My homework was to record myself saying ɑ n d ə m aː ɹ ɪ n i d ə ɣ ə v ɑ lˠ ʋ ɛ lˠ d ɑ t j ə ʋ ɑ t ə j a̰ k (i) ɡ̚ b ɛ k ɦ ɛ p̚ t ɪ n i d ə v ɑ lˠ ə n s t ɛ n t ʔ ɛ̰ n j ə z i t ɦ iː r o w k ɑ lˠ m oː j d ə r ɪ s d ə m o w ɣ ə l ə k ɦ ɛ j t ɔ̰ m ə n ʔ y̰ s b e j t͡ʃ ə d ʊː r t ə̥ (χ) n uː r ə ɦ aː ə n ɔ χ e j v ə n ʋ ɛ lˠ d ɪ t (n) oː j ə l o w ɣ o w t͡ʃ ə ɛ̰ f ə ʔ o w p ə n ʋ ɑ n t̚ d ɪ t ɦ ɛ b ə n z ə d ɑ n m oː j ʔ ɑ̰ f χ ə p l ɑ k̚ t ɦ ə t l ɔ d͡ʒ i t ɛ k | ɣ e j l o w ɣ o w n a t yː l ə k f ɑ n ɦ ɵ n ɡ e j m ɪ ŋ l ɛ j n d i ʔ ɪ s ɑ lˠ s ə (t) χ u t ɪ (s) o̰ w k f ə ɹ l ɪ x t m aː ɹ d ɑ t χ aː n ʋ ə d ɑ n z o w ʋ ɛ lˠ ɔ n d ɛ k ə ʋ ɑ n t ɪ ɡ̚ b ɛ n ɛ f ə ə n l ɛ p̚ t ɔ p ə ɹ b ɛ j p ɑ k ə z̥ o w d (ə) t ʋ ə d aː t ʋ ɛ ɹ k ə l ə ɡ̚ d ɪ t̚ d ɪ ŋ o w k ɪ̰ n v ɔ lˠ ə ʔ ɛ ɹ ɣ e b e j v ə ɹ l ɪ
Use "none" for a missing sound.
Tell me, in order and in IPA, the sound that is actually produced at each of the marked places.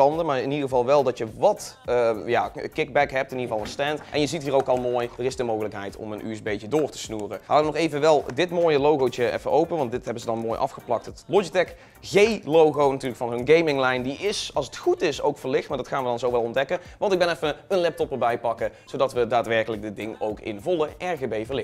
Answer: ɪ, s, m, t, s, ɑ

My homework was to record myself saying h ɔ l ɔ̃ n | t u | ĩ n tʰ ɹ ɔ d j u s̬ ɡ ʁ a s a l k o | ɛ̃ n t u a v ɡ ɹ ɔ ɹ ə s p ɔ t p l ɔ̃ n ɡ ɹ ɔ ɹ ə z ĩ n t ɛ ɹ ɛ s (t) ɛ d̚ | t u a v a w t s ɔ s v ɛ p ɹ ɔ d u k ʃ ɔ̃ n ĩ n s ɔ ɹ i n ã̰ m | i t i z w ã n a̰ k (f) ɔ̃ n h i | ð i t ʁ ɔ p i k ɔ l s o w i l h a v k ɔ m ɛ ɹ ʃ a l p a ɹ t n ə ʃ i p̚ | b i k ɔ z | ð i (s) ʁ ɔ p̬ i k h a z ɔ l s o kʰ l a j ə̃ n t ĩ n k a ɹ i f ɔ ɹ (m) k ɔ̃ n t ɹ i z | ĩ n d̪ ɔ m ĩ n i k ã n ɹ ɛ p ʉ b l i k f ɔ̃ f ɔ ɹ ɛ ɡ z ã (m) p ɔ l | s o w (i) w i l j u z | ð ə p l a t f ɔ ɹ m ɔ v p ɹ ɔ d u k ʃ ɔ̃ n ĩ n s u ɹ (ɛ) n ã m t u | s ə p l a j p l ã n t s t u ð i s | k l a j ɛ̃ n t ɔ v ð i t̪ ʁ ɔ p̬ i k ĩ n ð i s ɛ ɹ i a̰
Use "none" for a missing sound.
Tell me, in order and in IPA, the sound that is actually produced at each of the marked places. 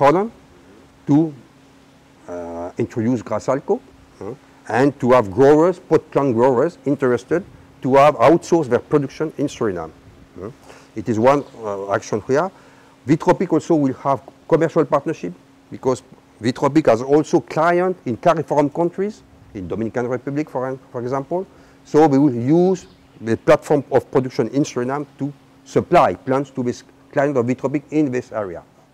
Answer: t, ʃ, t, m, m, i, i

